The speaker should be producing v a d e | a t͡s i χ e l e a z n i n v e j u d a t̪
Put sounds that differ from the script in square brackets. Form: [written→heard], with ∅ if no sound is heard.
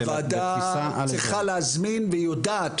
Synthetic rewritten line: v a d [e→a] | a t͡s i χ [e→a] l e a z [n→m] i n v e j [u→o] d a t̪